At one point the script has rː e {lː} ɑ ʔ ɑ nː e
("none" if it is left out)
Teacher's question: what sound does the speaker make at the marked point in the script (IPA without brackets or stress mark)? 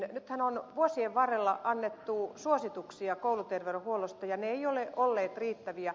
lː